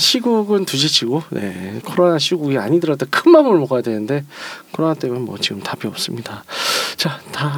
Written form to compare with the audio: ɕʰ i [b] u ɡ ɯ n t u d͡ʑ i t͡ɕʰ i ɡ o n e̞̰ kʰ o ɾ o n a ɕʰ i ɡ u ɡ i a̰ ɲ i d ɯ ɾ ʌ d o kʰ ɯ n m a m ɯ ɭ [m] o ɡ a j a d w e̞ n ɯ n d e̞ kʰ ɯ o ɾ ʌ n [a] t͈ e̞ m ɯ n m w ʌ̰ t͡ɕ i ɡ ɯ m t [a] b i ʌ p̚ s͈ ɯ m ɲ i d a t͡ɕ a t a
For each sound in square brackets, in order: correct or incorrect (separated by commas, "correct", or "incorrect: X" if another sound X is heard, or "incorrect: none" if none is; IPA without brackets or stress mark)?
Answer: incorrect: ɡ, correct, correct, correct